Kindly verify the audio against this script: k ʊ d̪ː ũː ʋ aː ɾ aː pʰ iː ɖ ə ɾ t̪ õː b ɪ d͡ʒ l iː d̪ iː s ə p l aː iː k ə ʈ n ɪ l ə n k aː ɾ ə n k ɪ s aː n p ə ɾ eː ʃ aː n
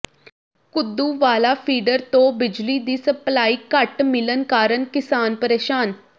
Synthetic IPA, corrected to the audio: k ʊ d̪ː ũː ʋ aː l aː pʰ iː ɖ ə ɾ t̪ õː b ɪ d͡ʒ l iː d̪ iː s ə p l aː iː k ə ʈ m ɪ l ə n k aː ɾ ə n k ɪ s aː n p ə ɾ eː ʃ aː n